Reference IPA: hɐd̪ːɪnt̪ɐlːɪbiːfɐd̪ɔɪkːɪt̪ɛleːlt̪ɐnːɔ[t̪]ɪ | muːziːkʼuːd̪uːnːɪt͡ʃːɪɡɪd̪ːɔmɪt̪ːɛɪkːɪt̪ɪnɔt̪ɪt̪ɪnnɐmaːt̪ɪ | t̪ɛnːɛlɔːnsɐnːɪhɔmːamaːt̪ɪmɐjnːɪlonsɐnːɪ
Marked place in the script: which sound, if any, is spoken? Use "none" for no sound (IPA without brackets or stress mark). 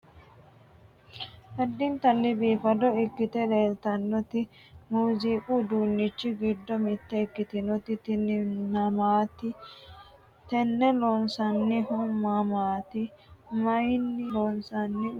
t̪